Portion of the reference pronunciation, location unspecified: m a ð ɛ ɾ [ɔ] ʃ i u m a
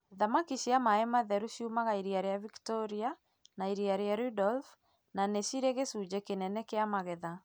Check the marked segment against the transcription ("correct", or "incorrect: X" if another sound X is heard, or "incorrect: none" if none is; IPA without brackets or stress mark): incorrect: u